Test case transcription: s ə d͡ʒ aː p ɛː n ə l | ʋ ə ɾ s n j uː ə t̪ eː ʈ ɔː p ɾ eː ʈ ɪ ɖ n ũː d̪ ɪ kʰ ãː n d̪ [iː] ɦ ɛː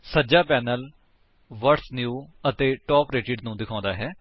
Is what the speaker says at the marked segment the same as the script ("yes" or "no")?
no